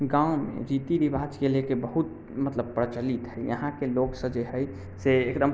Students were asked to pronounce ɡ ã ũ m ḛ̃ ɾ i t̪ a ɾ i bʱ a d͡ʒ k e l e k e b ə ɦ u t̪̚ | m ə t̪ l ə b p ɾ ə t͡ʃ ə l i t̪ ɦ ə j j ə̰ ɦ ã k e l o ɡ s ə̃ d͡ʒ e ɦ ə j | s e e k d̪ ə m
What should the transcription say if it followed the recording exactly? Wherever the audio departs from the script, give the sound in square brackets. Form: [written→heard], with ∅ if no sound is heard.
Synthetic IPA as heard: ɡ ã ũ m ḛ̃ ɾ i t̪ [a→i] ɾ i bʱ a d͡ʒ k e l e k e b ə ɦ u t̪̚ | m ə t̪ l ə b p ɾ ə t͡ʃ ə l i t̪ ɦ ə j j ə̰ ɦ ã k e l o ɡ s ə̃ d͡ʒ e ɦ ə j | s e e k d̪ ə m